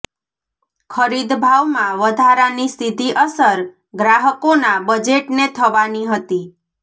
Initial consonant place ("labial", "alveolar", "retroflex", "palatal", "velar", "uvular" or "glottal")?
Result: velar